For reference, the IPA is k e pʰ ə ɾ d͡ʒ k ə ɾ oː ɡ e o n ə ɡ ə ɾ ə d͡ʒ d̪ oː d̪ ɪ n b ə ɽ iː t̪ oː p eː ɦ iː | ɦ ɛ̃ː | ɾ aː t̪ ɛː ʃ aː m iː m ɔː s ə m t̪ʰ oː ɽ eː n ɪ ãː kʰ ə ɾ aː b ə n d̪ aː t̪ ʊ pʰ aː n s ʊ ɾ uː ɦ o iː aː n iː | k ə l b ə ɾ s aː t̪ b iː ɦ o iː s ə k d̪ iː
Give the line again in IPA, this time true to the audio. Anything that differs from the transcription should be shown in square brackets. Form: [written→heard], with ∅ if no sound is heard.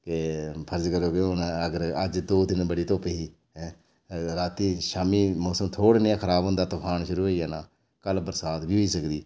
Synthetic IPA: k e pʰ ə ɾ d͡ʒ k ə ɾ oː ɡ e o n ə ɡ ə ɾ ə d͡ʒ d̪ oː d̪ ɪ n b ə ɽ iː t̪ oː p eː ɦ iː | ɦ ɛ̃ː | ɾ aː t̪ [ɛː→iː] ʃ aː m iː m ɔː s ə m t̪ʰ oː ɽ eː n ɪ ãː kʰ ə ɾ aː b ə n d̪ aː t̪ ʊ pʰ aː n [s→ʃ] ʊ ɾ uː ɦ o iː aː n [iː→aː] | k ə l b ə ɾ s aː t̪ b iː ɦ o iː s ə k d̪ iː